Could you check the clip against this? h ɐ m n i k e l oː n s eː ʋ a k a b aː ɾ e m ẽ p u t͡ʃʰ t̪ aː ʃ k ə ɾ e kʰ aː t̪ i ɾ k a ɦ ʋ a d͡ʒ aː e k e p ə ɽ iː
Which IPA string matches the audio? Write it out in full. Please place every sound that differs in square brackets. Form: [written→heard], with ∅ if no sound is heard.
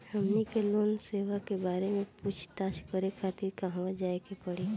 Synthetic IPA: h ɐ m n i k e l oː n s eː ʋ a k [a→e] b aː ɾ e m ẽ p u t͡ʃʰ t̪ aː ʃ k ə ɾ e kʰ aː t̪ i ɾ k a ɦ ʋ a d͡ʒ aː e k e p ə ɽ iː